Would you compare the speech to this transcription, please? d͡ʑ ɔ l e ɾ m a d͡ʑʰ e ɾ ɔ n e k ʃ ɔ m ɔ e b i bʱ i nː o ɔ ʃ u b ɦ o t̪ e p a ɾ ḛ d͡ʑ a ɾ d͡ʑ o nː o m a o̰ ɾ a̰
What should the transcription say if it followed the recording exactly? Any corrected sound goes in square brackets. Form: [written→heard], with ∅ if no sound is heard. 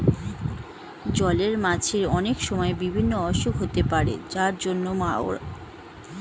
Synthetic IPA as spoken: d͡ʑ ɔ l e ɾ m a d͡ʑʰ e ɾ ɔ n e k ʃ ɔ m ɔ e b i bʱ i nː o ɔ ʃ u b ɦ o t̪ e p a ɾ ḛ d͡ʑ a ɾ d͡ʑ o nː o m a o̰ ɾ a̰

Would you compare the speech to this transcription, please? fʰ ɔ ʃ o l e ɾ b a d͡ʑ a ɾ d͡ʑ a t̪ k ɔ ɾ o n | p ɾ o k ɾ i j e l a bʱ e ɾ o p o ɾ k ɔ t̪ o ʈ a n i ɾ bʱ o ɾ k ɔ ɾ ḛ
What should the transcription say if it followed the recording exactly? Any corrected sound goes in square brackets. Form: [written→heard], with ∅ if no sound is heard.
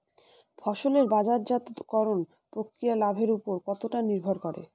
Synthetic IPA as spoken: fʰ ɔ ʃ o l e ɾ b a d͡ʑ a ɾ d͡ʑ a t̪ k ɔ ɾ o n | p ɾ o k ɾ i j [e→a] l a bʱ e ɾ [o→u] p o ɾ k ɔ t̪ o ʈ a n i ɾ bʱ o ɾ k ɔ ɾ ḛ

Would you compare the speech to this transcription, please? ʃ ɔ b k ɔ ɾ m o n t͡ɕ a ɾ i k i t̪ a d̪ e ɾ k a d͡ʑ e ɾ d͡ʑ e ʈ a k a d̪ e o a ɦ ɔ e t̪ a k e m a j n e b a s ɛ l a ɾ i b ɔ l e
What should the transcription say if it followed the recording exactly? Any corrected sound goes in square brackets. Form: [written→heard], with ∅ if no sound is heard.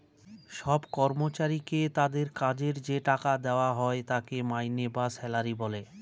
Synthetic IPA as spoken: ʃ ɔ b k ɔ ɾ m o [n→∅] t͡ɕ a ɾ i k [i→e] t̪ a d̪ e ɾ k a d͡ʑ e ɾ d͡ʑ e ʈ a k a d̪ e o a ɦ ɔ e t̪ a k e m a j n e b a s ɛ l a ɾ i b ɔ l e

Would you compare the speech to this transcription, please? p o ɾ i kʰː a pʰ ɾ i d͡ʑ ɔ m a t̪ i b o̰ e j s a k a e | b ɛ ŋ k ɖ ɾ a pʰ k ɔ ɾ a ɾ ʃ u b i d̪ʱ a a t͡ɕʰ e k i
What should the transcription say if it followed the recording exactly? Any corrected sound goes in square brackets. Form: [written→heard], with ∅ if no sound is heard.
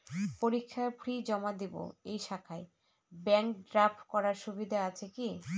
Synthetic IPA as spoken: p o ɾ i kʰː a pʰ ɾ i d͡ʑ ɔ m a [t̪→d̪] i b o̰ e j [s→ʃ] a [k→kʰ] a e | b ɛ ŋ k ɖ ɾ a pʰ k ɔ ɾ a ɾ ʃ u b i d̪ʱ a a t͡ɕʰ e k i

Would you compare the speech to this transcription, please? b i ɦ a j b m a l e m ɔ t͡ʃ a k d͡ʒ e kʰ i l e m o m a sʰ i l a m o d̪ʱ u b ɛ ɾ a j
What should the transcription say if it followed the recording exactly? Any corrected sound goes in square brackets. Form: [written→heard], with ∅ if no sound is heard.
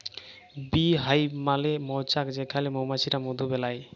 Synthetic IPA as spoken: b i ɦ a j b m a l e m ɔ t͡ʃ a k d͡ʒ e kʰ [i→a] l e m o m a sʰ i [l→ɾ] a m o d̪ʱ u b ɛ [ɾ→l] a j

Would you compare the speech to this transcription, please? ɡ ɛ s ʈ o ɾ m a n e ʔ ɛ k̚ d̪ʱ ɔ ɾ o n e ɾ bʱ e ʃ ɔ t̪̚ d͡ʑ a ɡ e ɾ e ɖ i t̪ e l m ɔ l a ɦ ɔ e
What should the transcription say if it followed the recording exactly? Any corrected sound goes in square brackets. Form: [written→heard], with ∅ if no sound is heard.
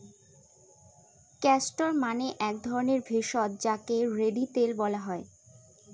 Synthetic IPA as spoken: [ɡ→k] ɛ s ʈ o ɾ m a n e ʔ ɛ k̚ d̪ʱ ɔ ɾ o n e ɾ bʱ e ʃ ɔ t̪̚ d͡ʑ a [ɡ→k] e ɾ e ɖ i t̪ e l [m→b] ɔ l a ɦ ɔ e

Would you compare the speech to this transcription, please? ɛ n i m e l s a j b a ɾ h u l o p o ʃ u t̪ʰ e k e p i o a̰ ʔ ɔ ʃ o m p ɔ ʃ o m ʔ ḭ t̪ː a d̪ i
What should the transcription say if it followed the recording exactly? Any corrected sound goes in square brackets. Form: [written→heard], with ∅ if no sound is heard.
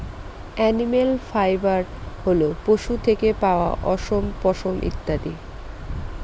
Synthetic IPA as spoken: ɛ n i m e l [s→f] a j b a ɾ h [u→o] l o p o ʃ u t̪ʰ e k e p [i→a] o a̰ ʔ ɔ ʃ o m p ɔ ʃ o m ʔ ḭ t̪ː a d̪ i

